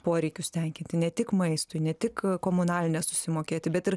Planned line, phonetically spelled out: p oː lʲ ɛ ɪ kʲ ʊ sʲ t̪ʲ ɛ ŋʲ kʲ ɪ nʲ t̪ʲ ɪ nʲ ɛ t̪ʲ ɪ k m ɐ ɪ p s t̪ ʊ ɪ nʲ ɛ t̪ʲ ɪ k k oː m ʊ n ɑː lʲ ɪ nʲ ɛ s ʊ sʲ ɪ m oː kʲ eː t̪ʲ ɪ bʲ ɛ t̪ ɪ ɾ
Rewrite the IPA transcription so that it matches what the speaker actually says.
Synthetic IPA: p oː ɾʲ ɛ ɪ kʲ ʊ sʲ t̪ʲ ɛ ŋʲ kʲ ɪ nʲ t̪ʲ ɪ nʲ ɛ t̪ʲ ɪ k m ɐ ɪ s t̪ ʊ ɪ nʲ ɛ t̪ʲ ɪ k k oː m ʊ n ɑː lʲ ɪ nʲ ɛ s ʊ sʲ ɪ m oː kʲ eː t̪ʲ ɪ bʲ ɛ t̪ ɪ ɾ